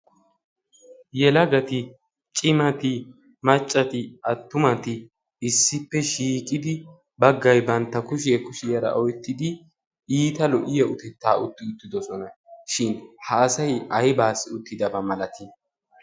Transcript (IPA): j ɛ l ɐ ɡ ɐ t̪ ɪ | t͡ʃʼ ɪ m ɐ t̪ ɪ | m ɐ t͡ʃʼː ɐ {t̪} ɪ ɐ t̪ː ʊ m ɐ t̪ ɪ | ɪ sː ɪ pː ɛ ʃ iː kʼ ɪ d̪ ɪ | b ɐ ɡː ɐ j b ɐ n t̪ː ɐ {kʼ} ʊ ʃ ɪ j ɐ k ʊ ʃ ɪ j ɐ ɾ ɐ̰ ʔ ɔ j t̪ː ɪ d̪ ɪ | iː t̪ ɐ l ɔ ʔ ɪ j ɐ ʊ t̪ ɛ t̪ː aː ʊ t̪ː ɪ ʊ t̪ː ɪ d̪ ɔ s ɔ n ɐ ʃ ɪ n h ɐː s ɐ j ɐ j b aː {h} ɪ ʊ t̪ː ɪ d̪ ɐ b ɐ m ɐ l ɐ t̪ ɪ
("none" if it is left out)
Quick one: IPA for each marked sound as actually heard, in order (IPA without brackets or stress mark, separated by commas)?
t̪, k, s